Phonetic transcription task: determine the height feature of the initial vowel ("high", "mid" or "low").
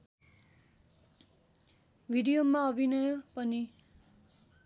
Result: high